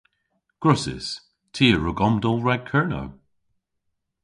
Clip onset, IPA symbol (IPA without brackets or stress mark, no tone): ɡ̥